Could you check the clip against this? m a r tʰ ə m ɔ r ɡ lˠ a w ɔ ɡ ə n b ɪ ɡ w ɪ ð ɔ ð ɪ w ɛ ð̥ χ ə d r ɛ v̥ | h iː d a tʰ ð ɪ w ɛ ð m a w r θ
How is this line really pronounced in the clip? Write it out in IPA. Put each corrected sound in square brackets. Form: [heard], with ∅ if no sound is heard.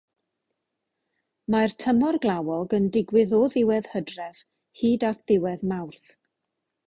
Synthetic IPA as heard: m a r tʰ ə m ɔ r ɡ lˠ a w ɔ ɡ ə n [d] ɪ ɡ w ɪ ð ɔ ð ɪ w ɛ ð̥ [h] ə d r ɛ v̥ | h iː d a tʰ ð ɪ w ɛ ð m a w r θ

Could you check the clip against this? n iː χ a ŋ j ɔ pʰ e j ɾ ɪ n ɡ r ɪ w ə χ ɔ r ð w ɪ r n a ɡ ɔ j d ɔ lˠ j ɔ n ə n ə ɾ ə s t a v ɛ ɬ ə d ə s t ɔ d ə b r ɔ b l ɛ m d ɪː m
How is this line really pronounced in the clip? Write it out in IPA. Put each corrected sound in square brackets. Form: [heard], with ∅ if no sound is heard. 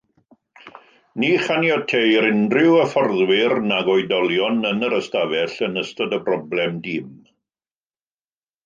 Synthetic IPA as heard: n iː χ a [n] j ɔ [tʰ] e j ɾ ɪ n [d] r ɪ w ə [f] ɔ r ð w ɪ r n a ɡ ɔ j d ɔ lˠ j ɔ n ə n ə ɾ ə s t a v ɛ ɬ ə [n] ə s t ɔ d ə b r ɔ b l ɛ m d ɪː m

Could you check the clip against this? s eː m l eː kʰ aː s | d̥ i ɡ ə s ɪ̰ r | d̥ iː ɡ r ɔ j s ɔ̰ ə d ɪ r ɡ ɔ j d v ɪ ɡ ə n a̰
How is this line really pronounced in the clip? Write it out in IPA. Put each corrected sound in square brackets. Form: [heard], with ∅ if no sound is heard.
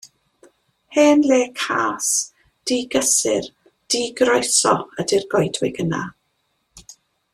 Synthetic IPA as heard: [h] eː [n] l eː kʰ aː s | d̥ i ɡ ə s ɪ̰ r | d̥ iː ɡ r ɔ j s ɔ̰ ə d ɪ r ɡ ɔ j d [w] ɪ ɡ ə n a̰

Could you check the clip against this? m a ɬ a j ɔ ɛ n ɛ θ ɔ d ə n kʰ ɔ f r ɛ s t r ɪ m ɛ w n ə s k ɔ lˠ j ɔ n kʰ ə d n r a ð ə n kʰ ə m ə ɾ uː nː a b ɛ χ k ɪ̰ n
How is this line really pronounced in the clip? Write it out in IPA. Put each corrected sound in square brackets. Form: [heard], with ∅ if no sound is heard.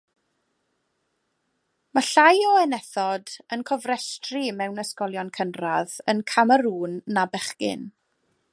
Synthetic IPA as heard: m a ɬ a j ɔ ɛ n ɛ θ ɔ d ə n kʰ ɔ [v] r ɛ s t r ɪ m ɛ w n ə s k ɔ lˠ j ɔ n kʰ ə [∅] n r a ð ə n kʰ [a] m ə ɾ uː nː a b ɛ χ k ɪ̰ n

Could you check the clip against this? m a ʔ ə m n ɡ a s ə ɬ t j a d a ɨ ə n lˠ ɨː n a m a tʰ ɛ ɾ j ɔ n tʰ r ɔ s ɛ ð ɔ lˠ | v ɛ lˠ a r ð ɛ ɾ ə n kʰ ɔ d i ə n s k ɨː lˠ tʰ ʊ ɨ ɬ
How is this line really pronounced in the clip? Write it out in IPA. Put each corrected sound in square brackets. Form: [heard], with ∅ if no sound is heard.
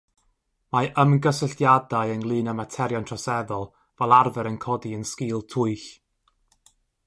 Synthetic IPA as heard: m a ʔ ə m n ɡ [ə] s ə ɬ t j a d a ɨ ə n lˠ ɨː n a m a tʰ ɛ ɾ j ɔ n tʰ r ɔ s ɛ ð ɔ lˠ | v ɛ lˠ a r [v] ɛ ɾ ə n kʰ ɔ d i ə n s k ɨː lˠ tʰ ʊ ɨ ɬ

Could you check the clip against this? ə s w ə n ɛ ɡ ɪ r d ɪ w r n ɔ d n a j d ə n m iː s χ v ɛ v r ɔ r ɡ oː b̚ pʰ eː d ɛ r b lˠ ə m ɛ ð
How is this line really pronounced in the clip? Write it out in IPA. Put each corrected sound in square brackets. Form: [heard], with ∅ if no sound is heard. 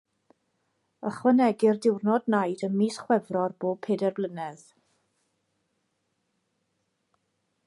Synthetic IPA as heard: ə [χ] w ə n ɛ ɡ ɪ r d ɪ w r n ɔ d n a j d ə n m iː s χ [w] ɛ v r ɔ r [b] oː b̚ pʰ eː d ɛ r b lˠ ə [n] ɛ ð

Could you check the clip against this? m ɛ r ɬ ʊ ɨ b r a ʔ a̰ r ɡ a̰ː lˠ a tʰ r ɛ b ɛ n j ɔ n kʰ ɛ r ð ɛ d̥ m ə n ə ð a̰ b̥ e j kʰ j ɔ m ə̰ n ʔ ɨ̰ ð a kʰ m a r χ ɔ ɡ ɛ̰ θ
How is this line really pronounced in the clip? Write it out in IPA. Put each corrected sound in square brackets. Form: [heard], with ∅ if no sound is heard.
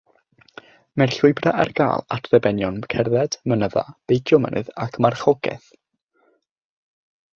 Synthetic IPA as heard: m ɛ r ɬ ʊ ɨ b r a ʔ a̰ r ɡ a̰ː lˠ a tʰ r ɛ b ɛ n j ɔ n kʰ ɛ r ð ɛ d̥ m ə n ə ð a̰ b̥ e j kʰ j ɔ m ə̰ n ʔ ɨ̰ ð a kʰ m a r χ ɔ ɡ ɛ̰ θ

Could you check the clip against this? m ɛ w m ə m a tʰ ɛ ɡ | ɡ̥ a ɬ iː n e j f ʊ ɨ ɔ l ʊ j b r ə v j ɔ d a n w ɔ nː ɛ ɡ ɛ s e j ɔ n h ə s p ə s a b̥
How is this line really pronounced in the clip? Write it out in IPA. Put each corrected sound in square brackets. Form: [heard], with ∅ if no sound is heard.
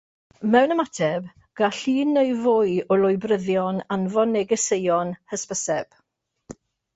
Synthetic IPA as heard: m ɛ w [n] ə m a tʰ ɛ [b] | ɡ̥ a ɬ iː n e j [v] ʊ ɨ ɔ l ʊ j b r ə [ð] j ɔ [n] a n [v] ɔ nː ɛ ɡ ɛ s e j ɔ n h ə s p ə s [ɛ] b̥

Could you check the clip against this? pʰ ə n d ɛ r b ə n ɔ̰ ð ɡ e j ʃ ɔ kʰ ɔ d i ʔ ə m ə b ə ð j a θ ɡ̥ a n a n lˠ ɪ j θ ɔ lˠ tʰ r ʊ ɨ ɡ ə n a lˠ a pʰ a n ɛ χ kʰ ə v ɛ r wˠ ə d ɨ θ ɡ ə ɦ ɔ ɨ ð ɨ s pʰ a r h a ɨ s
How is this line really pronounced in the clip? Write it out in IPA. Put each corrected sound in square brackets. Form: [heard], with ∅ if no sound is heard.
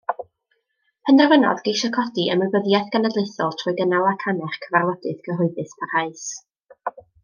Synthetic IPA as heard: pʰ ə n d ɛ r [v] ə n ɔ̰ ð ɡ e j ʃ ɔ kʰ ɔ d i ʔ ə m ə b ə ð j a θ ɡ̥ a n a [d] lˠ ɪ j θ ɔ lˠ tʰ r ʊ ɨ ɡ ə n a lˠ a [kʰ] a n ɛ χ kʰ ə v [a] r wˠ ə d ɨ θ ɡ ə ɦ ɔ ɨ ð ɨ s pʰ a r h a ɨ s

